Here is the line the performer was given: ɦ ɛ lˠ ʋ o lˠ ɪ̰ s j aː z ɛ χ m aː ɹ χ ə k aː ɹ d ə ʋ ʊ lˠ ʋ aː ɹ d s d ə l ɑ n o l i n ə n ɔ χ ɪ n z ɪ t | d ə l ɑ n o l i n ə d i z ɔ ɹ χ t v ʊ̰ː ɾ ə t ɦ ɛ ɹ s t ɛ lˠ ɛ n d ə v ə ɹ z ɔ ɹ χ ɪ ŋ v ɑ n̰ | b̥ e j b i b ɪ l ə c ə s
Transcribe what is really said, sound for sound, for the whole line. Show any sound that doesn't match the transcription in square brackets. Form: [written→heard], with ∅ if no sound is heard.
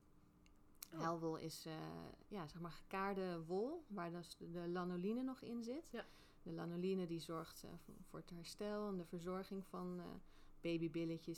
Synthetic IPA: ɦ ɛ lˠ ʋ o lˠ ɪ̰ s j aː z ɛ χ m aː ɹ χ ə k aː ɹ d ə ʋ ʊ lˠ ʋ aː ɹ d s d ə l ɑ n o l i n ə n ɔ χ ɪ n z ɪ t | d ə l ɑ n o l i n ə d i z ɔ ɹ χ t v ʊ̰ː [ɾ→ɹ] ə t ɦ ɛ ɹ s t ɛ lˠ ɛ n d ə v ə ɹ z ɔ ɹ χ ɪ ŋ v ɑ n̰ | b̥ e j b i b ɪ l ə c ə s